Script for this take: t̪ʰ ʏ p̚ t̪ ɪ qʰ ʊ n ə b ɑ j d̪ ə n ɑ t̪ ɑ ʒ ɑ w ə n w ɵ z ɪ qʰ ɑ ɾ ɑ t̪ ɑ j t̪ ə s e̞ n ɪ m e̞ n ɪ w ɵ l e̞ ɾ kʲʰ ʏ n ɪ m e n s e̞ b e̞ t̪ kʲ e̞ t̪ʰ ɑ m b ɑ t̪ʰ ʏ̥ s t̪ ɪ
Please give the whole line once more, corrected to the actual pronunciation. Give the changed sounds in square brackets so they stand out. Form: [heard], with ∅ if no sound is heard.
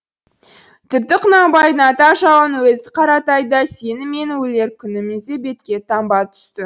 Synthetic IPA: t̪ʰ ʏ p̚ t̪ ɪ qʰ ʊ n [ɑ] b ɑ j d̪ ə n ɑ t̪ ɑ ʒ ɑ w ə n w ɵ z ɪ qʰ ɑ ɾ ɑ t̪ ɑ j [d̪] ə s e̞ n ɪ m e̞ n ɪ w ɵ l e̞ ɾ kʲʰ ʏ n ɪ m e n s e̞ b e̞ t̪ kʲ e̞ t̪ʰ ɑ m b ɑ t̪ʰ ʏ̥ s t̪ ɪ